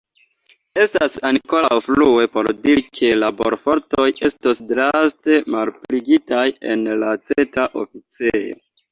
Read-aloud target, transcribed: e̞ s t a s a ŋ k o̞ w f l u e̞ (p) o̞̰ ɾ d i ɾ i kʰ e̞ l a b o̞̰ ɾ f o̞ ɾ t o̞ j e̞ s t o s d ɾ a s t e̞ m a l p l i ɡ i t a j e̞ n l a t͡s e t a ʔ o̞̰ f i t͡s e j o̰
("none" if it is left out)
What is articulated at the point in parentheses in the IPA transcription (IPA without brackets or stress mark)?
p